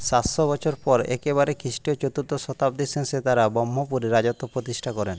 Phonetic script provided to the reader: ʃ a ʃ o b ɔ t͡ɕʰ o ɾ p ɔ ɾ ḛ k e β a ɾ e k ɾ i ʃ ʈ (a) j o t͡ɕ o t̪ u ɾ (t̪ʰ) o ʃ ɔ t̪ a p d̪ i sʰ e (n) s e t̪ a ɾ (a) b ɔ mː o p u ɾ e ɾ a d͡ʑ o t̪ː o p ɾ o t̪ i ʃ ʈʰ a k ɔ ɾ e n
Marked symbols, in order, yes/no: no, no, yes, yes

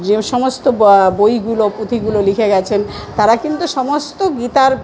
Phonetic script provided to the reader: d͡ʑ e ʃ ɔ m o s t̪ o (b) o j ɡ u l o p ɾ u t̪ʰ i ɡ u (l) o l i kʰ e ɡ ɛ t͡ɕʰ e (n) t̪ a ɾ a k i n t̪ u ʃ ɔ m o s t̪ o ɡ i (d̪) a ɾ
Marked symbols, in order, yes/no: yes, yes, yes, no

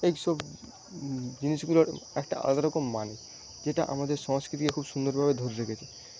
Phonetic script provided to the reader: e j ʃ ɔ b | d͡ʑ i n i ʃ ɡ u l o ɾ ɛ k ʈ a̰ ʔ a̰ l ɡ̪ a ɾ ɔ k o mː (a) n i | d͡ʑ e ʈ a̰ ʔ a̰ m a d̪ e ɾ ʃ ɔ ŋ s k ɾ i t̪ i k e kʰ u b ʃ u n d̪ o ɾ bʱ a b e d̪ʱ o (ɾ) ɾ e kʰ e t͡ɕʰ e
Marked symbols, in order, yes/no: yes, yes

